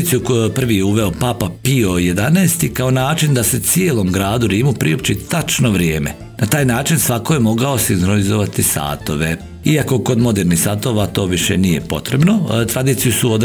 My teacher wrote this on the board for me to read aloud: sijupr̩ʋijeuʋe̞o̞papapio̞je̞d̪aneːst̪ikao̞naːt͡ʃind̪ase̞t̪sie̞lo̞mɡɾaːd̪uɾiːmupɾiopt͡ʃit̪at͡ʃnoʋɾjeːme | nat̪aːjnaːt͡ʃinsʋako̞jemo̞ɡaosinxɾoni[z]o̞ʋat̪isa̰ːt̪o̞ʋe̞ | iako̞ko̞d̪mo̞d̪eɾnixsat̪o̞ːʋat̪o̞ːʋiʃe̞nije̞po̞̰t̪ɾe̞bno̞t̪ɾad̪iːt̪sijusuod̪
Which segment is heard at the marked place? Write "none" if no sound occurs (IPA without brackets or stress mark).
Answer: z